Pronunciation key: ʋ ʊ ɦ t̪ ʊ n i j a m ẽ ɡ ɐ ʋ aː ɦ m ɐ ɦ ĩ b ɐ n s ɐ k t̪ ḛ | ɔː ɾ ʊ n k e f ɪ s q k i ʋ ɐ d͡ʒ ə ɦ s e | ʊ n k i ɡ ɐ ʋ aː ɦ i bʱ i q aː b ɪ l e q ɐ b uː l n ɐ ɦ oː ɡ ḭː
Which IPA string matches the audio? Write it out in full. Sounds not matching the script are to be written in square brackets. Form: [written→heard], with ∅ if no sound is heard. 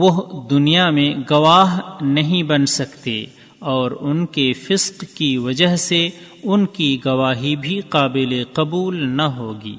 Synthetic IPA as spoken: ʋ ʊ ɦ [t̪→d̪] ʊ n i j a m ẽ ɡ ɐ ʋ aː ɦ [m→n] ɐ ɦ ĩ b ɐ n s ɐ k t̪ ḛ | ɔː ɾ ʊ n k e f ɪ s q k i ʋ ɐ d͡ʒ ə ɦ s e | ʊ n k i ɡ ɐ ʋ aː ɦ i bʱ i q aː b ɪ l e q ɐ b uː l n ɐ ɦ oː ɡ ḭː